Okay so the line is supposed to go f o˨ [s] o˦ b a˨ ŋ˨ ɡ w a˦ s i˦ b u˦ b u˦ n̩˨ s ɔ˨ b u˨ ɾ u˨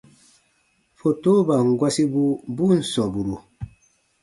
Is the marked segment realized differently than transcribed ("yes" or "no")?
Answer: yes